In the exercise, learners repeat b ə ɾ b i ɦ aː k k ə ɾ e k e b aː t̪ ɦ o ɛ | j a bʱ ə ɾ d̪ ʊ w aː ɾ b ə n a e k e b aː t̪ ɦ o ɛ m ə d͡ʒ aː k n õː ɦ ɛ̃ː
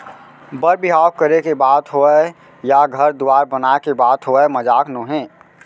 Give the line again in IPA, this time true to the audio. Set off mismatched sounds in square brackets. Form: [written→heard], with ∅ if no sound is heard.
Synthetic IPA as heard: b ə ɾ b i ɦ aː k k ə ɾ e k e b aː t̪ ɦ o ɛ | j a [bʱ→ɡʱ] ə ɾ d̪ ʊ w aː ɾ b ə n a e k e b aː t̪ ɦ o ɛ m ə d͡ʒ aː k n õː ɦ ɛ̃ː